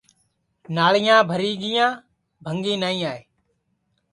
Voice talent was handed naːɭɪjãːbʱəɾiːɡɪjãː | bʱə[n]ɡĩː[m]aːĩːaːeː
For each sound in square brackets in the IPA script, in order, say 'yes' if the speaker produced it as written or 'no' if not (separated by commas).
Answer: no, no